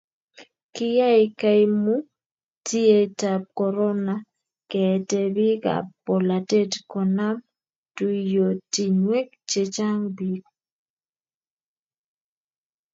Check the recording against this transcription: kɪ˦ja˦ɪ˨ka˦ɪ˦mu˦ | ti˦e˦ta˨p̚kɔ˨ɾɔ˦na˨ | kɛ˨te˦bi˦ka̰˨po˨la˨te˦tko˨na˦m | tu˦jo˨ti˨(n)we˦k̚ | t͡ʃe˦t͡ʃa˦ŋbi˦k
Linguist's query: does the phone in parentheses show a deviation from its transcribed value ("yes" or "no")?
yes